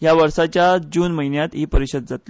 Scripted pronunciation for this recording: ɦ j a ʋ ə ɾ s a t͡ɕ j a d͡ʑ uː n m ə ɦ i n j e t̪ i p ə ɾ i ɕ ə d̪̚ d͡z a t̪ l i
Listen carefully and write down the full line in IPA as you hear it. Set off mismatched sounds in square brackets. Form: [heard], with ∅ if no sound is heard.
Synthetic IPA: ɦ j a ʋ ə ɾ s a t͡ɕ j a d͡ʑ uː n m ə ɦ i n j [a] t̪ i p ə ɾ i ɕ ə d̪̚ d͡z a t̪ l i